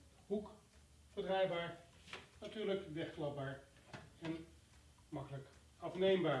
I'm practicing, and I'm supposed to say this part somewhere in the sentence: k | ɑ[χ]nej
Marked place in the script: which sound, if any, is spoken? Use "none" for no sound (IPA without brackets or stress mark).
f